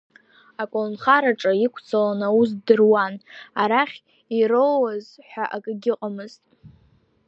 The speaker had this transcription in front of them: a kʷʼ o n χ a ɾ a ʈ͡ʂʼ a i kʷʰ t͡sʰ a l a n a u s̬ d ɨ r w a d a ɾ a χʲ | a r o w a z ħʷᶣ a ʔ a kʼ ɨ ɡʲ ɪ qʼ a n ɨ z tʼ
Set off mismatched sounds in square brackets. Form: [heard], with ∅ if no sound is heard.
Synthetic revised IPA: a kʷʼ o n χ a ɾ a ʈ͡ʂʼ a i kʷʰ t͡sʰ a l a n a u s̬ d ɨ r w a [n] a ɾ a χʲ | [i] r o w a z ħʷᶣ a ʔ a kʼ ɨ ɡʲ ɪ qʼ a [m] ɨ z tʼ